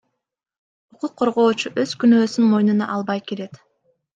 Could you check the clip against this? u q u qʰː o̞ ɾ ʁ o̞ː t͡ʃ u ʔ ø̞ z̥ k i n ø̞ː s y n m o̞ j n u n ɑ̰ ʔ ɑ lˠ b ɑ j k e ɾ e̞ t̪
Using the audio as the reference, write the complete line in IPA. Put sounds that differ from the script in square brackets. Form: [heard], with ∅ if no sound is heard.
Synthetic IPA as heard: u q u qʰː o̞ ɾ ʁ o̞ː t͡ʃ u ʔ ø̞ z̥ k [y] n ø̞ː s y n m o̞ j n u n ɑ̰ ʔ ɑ lˠ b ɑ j k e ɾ e̞ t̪